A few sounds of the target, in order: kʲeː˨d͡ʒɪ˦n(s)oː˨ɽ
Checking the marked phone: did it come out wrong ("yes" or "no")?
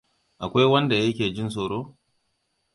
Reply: no